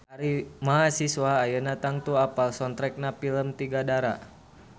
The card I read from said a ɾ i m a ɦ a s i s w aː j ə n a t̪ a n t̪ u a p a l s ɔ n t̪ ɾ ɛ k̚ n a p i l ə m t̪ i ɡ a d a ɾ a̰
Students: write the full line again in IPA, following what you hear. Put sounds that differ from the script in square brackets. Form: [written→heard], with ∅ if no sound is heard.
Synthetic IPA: a ɾ i m a ɦ a s i s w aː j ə n a t̪ a [n→ŋ] t̪ u a p a l s ɔ n t̪ ɾ ɛ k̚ n a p i l ə m t̪ i ɡ a d a ɾ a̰